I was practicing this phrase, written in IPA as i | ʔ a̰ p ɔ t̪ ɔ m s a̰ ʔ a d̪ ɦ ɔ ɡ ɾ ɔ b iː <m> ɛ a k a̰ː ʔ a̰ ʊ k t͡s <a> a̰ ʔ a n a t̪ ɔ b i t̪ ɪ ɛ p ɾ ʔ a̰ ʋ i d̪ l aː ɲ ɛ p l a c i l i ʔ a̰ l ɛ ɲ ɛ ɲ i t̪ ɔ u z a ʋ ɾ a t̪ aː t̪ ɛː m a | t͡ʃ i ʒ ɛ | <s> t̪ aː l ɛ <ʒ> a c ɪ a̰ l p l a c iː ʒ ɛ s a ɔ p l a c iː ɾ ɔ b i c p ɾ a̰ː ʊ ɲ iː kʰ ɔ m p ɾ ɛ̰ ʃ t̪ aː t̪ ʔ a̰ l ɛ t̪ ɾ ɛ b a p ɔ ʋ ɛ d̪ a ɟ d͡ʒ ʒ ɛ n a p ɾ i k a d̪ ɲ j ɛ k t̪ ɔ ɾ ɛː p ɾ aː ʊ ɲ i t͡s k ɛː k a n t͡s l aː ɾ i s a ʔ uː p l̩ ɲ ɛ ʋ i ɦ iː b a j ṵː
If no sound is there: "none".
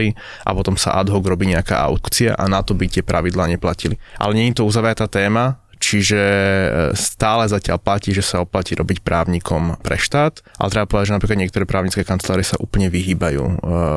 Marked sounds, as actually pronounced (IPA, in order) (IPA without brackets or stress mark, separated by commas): ɲ, i, s, z